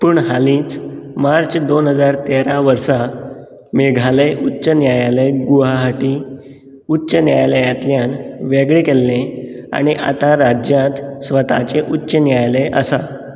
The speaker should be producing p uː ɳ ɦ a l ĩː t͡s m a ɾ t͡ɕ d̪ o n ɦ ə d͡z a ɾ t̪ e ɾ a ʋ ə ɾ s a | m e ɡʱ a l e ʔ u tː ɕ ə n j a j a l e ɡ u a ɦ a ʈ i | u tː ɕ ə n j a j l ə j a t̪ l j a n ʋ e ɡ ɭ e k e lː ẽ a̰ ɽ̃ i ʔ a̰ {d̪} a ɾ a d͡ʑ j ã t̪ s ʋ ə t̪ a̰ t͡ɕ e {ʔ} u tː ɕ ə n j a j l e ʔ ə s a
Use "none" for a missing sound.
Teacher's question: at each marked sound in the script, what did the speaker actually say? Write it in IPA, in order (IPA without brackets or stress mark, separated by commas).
t̪, ʔ